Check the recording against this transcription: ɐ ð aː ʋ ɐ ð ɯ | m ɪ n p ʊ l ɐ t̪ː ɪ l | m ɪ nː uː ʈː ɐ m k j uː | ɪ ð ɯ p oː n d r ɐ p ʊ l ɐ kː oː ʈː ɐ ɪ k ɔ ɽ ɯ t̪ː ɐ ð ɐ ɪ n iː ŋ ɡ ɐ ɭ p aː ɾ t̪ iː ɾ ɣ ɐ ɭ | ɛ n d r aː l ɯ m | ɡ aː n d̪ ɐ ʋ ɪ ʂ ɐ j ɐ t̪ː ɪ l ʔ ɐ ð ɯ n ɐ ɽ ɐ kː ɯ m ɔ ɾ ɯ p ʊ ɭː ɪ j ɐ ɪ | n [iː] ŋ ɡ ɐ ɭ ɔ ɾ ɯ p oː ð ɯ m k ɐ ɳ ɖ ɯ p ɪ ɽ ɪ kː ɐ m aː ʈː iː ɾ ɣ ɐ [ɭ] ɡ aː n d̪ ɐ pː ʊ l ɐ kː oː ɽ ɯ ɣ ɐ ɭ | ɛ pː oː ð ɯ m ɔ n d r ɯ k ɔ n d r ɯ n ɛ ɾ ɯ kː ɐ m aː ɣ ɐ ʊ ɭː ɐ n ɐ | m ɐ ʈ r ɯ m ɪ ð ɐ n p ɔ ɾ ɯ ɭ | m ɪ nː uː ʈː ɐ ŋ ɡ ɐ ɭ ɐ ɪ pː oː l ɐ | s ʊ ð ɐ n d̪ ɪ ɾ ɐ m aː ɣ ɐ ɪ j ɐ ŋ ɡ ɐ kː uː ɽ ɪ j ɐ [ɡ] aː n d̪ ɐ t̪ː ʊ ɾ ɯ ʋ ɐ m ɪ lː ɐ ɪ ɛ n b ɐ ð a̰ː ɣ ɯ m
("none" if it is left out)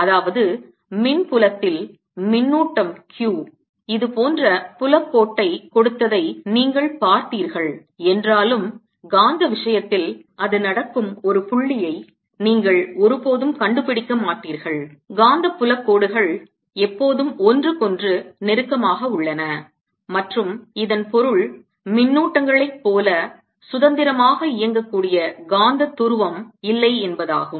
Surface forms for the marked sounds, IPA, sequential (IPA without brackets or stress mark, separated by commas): iː, ɭ, ɡ